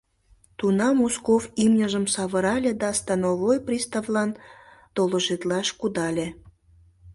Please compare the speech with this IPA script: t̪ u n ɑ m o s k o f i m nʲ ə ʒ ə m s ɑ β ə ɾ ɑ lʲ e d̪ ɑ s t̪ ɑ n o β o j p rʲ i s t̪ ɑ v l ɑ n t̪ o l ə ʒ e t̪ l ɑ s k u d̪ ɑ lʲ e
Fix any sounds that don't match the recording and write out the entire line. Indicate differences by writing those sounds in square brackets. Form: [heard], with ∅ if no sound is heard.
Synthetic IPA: t̪ u n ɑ m o s k o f i m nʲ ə ʒ ə m s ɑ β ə ɾ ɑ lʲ e d̪ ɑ s t̪ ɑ n o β o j p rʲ i s t̪ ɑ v l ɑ n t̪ o l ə ʒ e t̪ l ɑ [ʃ] k u d̪ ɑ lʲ e